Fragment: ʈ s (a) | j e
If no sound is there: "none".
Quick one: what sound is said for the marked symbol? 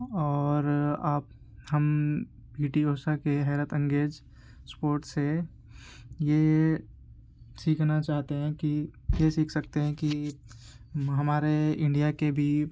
e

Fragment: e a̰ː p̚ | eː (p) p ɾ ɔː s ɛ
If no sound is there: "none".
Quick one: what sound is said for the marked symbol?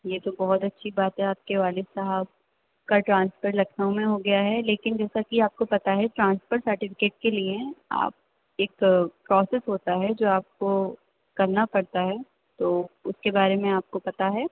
k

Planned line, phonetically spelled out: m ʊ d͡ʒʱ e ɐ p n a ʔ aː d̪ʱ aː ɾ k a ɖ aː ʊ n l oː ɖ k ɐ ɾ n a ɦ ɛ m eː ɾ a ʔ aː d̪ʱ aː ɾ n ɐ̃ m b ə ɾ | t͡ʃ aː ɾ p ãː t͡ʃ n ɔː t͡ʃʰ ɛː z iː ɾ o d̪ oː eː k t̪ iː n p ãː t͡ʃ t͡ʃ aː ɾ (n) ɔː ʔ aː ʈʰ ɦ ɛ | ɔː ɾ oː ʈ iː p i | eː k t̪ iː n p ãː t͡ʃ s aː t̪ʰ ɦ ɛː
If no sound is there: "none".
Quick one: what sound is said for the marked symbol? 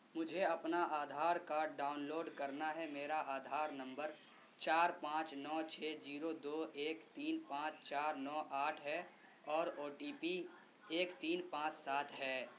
n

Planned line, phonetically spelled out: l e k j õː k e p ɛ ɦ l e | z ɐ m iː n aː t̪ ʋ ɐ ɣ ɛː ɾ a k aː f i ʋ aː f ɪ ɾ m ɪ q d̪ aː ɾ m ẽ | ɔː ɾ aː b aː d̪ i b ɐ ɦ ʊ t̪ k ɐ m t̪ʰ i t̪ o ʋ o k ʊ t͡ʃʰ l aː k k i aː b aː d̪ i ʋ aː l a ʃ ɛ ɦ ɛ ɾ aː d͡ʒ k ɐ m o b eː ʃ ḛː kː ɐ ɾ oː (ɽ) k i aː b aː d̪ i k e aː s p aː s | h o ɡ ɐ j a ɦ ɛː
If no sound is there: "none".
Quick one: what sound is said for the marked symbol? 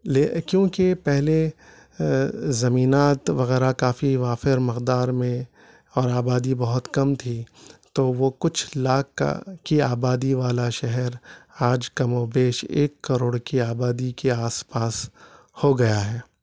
ɽ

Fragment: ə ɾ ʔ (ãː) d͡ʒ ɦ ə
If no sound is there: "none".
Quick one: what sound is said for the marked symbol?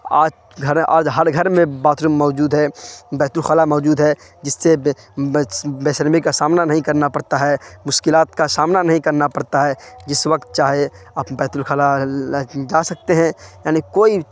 aː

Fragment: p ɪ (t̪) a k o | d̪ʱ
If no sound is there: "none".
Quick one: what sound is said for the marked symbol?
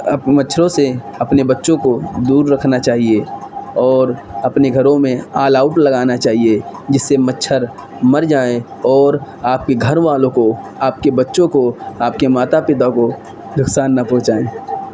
t̪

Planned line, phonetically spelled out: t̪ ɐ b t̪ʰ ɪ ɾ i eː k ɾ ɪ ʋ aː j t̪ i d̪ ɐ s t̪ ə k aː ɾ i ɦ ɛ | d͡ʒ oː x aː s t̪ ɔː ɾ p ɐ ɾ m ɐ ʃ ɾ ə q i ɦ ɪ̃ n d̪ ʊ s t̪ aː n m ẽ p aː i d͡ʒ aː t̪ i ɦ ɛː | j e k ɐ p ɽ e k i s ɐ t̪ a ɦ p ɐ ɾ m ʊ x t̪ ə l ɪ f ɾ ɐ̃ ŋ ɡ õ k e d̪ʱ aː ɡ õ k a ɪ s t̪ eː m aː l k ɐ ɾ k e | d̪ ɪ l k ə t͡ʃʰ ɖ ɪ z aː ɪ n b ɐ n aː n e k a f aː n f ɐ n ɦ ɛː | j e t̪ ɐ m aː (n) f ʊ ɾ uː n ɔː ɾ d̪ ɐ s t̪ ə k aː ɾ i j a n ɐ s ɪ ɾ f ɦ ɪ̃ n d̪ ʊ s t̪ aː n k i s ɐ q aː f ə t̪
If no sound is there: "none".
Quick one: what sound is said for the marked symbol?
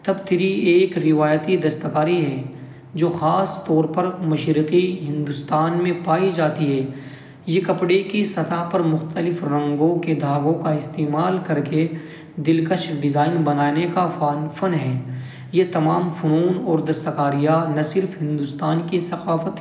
m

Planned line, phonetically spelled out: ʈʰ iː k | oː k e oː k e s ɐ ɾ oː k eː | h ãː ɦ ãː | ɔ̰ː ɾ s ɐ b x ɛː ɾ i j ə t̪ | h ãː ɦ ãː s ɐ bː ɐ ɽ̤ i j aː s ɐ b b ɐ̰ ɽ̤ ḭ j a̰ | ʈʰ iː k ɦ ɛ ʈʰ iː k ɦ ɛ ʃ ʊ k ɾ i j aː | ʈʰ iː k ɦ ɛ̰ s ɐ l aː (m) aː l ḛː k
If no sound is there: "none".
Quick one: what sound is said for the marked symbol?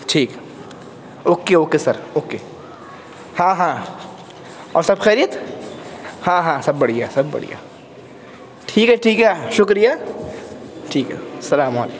m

